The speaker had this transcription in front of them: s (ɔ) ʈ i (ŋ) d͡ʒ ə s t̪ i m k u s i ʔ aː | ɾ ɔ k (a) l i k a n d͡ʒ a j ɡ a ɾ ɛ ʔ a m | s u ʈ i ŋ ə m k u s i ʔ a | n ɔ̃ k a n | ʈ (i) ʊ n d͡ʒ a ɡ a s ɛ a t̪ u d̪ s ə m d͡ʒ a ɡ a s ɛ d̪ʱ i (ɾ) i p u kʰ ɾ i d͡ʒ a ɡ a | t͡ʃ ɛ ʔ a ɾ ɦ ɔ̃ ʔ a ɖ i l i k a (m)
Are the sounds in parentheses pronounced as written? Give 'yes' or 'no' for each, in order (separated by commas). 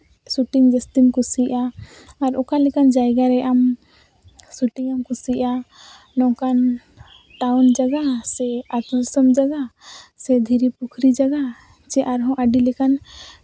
no, yes, yes, no, yes, no